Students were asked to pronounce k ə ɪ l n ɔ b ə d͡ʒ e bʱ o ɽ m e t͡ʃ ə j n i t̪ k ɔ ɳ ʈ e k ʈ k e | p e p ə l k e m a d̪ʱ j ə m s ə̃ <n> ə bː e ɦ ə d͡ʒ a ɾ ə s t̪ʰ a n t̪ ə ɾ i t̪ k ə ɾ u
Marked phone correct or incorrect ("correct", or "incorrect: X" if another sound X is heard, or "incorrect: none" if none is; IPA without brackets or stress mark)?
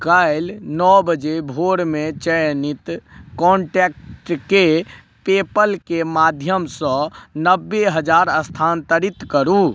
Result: correct